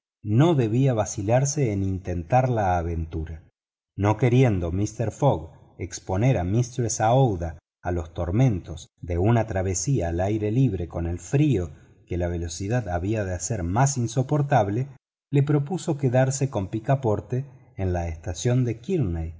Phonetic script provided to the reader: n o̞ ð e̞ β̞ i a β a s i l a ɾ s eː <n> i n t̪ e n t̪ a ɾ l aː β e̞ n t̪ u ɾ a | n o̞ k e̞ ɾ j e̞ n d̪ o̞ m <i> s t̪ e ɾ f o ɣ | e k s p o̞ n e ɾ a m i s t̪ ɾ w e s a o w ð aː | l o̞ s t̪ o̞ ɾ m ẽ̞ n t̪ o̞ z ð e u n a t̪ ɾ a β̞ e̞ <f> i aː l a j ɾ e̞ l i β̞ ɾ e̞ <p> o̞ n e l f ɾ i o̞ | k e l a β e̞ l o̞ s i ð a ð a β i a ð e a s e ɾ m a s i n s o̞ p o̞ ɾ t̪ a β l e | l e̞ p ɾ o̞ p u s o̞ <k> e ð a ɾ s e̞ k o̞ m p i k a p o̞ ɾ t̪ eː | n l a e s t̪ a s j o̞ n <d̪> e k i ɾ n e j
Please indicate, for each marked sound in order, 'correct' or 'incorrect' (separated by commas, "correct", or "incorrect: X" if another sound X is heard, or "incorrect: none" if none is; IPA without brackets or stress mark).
correct, correct, incorrect: s, incorrect: k, correct, correct